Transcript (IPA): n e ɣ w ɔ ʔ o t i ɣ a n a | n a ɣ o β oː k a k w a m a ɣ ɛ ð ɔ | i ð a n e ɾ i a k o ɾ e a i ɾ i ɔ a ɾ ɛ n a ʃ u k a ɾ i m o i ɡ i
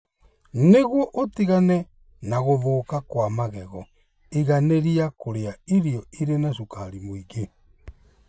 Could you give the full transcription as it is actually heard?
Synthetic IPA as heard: n e ɣ w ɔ ʔ o t i ɣ a n ɛ | n a ɣ o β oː k a k w a m a ɣ ɛ ɣ ɔ | i ɣ a n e ɾ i a k o ɾ e a i ɾ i ɔ i ɾ e n a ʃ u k a ɾ i m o i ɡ e